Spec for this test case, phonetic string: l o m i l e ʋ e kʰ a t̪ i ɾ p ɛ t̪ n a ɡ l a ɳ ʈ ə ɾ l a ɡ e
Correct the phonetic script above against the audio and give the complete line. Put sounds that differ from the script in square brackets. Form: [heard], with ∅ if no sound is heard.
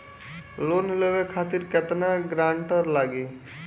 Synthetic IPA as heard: l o [n] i l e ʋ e kʰ a t̪ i ɾ [k] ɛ t̪ n a ɡ [ɾ] a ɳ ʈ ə ɾ l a ɡ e